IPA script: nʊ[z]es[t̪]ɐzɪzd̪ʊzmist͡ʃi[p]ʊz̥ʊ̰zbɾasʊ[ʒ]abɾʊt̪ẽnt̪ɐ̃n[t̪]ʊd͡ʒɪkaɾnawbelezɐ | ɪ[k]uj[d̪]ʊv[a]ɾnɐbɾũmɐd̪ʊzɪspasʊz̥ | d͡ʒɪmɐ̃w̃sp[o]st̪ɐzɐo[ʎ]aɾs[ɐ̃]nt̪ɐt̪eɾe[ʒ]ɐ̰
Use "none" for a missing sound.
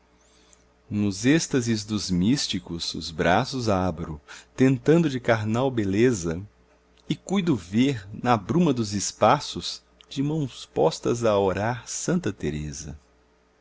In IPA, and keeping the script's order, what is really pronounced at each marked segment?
z, t̪, k, z, d̪, k, d̪, e, ɔ, ɾ, ɐ̃, z

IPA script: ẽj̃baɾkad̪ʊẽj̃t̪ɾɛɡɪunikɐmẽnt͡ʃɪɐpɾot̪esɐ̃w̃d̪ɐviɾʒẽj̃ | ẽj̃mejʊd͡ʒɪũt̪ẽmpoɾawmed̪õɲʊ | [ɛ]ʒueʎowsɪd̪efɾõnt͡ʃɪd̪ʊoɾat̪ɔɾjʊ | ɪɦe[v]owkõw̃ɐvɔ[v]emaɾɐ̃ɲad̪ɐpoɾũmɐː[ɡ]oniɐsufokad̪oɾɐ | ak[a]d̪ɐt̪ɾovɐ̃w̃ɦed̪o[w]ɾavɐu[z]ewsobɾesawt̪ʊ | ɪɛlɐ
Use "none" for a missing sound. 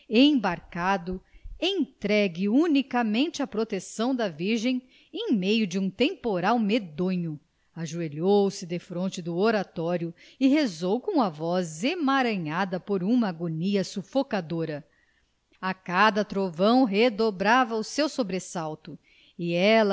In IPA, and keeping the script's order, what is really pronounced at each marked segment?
a, z, z, ɡ, a, b, s

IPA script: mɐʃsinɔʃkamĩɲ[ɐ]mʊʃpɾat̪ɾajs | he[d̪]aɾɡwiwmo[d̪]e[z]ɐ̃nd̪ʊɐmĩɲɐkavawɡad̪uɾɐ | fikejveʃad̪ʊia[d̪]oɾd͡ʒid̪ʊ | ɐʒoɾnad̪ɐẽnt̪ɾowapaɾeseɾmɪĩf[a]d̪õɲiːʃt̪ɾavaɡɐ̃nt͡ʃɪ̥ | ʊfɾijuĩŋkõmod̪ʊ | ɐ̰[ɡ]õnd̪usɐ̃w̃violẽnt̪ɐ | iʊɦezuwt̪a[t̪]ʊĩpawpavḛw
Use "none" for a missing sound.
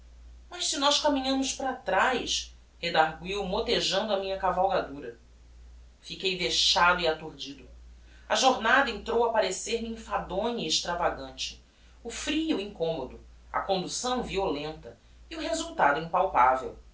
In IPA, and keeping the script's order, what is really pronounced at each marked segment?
ɐ̃, d̪, t̪, ʒ, t̪, a, k, d̪

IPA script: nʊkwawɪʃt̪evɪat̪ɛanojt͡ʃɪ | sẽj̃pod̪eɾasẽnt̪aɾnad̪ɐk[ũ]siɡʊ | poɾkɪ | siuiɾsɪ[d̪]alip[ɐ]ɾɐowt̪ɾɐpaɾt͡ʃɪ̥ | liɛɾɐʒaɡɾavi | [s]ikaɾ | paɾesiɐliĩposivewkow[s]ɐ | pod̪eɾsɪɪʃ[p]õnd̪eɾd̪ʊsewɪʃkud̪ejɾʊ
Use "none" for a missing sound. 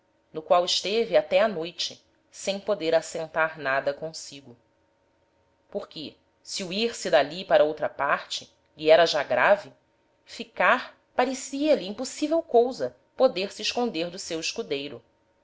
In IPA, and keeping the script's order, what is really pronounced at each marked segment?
õ, d̪, a, f, z, k

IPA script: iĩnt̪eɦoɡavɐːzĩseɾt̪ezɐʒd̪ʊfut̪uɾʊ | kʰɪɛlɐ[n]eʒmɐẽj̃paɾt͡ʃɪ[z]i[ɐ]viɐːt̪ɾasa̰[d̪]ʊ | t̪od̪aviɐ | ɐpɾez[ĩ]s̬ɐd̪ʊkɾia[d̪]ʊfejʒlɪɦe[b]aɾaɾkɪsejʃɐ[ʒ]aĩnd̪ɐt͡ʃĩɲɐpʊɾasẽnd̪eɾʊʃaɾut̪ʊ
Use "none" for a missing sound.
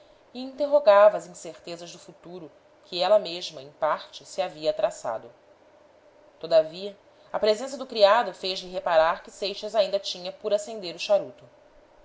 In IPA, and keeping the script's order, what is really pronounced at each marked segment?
m, s, a, d̪, ẽ, d̪, p, z

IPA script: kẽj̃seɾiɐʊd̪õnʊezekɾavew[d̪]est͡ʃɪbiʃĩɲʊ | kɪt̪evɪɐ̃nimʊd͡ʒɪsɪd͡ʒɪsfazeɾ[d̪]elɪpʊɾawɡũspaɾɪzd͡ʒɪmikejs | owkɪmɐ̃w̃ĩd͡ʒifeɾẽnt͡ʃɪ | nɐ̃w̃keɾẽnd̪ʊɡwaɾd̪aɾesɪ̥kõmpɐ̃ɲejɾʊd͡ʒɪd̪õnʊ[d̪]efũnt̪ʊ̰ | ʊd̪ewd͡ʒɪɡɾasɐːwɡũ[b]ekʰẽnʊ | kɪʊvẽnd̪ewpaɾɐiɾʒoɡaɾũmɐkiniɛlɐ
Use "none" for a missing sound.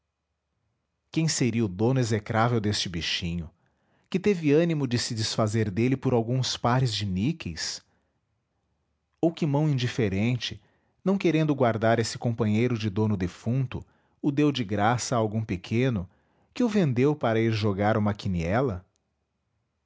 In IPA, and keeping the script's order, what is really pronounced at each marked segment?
d̪, d̪, d̪, p

